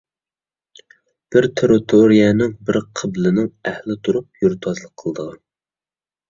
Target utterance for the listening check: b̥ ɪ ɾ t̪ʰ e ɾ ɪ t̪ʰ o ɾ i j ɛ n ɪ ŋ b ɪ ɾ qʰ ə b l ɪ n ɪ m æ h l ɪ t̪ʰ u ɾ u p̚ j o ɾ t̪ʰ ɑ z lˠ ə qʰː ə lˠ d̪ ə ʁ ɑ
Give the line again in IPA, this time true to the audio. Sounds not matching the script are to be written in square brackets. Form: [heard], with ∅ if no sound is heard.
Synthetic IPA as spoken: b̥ ɪ ɾ t̪ʰ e ɾ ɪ t̪ʰ o ɾ i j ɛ n ɪ ŋ b ɪ ɾ qʰ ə b l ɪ n ɪ [ŋ] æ h l ɪ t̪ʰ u ɾ u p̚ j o ɾ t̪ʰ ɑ z lˠ ə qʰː ə lˠ d̪ ə ʁ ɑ